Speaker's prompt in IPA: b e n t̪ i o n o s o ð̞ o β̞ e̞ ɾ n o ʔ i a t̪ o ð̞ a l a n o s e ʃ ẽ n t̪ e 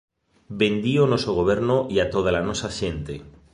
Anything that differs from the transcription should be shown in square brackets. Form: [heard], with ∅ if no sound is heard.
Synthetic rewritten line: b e n [d̪] i o n o s o [ɣ̞] o β̞ e̞ ɾ n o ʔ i a t̪ o ð̞ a l a n o s [a] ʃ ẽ n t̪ e